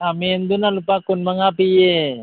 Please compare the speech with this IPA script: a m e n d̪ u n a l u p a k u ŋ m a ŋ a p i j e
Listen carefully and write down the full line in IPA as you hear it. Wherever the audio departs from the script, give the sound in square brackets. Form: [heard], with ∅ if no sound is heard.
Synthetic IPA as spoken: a m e n d̪ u n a l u p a k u [n] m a ŋ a p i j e